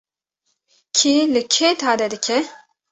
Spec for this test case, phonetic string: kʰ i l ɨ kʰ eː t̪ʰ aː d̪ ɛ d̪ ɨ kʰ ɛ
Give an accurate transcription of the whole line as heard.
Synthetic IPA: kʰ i l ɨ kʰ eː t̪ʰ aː d̪ ɛ d̪ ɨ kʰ ɛ